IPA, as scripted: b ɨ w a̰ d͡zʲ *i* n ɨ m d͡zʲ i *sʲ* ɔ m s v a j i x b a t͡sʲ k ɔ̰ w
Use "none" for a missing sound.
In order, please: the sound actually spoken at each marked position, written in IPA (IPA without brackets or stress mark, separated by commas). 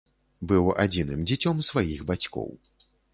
i, t͡sʲ